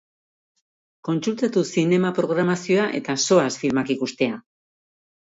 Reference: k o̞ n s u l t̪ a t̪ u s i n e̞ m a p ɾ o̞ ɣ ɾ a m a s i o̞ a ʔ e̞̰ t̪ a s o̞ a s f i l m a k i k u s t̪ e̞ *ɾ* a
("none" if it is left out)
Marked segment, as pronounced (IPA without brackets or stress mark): none